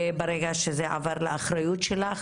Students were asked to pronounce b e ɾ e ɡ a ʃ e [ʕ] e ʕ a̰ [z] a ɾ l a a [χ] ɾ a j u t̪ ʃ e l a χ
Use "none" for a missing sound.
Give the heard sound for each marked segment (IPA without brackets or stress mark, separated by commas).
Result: z, v, χ